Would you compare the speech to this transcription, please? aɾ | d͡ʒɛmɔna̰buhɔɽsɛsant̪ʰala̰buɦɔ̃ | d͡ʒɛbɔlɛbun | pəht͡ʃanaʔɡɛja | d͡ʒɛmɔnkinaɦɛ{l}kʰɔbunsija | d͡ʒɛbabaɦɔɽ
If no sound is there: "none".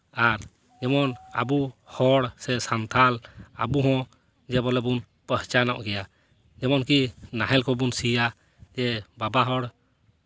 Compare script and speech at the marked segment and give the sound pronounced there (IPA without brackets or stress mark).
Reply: l